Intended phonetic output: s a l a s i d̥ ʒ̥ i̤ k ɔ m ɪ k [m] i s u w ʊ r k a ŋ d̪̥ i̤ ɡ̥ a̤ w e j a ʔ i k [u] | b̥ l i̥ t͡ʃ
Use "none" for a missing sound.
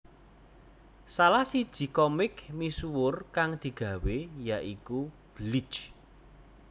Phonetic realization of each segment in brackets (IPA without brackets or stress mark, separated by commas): m, u